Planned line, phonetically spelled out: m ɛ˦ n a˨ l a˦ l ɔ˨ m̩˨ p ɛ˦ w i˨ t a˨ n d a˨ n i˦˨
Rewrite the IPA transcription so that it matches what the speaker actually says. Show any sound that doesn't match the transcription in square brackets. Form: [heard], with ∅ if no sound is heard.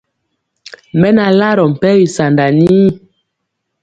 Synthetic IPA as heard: m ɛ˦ n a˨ l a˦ [ɾ] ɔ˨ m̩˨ p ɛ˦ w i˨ [s] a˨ n d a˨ n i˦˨